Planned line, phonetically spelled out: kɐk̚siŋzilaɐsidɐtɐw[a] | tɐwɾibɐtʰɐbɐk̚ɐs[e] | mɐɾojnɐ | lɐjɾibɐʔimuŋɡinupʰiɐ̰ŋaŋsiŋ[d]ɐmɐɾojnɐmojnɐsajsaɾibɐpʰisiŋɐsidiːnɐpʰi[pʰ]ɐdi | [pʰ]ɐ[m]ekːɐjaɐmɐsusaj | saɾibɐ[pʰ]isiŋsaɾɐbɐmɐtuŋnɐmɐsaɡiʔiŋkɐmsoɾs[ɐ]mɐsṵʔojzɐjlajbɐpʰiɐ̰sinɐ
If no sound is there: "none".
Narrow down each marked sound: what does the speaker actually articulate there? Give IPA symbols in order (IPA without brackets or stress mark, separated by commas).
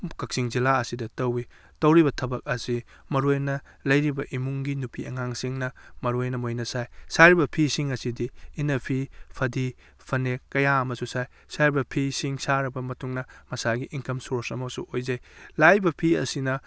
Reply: i, i, n, pʰ, pʰ, n, pʰ, ɐ